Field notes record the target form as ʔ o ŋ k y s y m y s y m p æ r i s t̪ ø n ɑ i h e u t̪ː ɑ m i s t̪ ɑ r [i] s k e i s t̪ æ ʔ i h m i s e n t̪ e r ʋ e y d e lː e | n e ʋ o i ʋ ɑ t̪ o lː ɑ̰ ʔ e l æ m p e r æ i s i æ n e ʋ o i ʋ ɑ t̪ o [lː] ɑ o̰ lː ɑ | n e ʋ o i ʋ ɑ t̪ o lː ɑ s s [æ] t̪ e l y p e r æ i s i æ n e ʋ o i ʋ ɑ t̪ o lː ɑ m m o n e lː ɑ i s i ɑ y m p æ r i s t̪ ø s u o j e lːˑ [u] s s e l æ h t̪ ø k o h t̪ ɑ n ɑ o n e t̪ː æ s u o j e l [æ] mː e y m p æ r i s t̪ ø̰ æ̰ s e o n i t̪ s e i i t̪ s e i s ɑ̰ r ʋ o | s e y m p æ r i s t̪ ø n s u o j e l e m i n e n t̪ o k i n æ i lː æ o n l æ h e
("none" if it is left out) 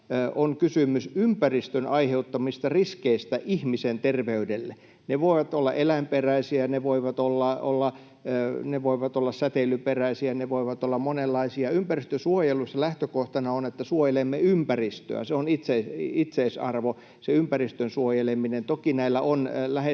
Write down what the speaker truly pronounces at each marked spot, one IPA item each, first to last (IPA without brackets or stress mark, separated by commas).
i, lː, æ, u, e